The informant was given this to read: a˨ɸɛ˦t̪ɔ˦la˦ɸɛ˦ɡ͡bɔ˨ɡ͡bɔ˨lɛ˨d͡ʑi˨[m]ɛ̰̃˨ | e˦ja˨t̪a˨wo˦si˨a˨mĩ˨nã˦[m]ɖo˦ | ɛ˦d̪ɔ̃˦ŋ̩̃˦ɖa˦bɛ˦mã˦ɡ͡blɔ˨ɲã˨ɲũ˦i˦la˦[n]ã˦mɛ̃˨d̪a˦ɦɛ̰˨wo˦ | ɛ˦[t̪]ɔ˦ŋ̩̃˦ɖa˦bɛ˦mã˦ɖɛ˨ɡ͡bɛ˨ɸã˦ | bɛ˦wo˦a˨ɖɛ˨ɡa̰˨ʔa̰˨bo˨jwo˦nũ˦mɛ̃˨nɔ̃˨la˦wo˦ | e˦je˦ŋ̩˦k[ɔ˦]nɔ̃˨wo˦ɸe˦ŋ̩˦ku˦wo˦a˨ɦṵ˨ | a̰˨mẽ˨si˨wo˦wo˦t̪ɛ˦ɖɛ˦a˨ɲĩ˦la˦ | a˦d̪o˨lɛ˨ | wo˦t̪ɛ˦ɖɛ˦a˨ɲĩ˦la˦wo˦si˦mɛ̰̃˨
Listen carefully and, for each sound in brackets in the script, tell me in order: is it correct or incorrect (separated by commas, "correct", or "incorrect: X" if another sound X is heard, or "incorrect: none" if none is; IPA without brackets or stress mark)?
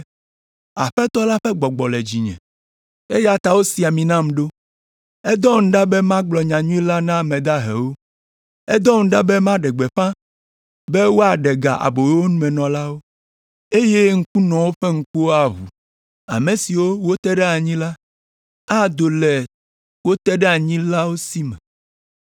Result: incorrect: ɲ, correct, correct, incorrect: d̪, incorrect: u˦